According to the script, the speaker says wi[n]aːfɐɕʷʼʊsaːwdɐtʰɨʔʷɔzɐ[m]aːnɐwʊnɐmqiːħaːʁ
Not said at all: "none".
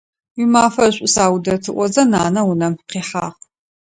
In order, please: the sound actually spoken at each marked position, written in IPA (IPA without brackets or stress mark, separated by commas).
m, n